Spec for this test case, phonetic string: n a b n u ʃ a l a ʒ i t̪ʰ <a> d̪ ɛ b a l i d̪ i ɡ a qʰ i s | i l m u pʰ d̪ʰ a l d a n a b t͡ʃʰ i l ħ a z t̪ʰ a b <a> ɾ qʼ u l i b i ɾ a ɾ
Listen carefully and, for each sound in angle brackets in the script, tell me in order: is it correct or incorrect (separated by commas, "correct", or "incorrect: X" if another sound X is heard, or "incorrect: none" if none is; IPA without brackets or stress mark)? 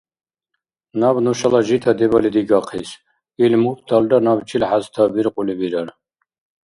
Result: correct, incorrect: i